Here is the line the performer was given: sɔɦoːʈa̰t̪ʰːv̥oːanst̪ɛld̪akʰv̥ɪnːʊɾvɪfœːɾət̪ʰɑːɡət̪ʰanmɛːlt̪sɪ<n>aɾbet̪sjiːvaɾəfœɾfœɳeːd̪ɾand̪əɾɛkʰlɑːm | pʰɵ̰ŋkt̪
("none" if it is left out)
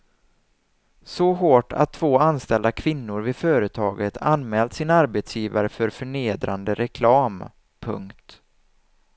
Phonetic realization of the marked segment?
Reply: n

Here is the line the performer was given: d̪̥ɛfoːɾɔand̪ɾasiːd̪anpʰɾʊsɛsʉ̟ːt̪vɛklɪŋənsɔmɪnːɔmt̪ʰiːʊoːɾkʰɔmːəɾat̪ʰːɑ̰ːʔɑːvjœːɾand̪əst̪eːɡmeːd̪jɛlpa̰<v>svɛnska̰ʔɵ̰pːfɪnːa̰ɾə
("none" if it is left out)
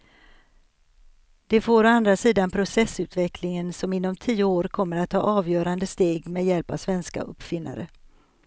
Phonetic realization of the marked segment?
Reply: v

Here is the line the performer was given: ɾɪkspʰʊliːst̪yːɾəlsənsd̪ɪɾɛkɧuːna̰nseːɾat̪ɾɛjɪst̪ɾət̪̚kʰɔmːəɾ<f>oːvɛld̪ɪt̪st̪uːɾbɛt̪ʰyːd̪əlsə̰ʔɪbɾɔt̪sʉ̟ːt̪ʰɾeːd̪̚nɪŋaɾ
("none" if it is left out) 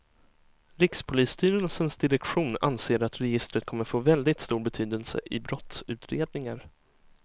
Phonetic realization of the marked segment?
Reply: f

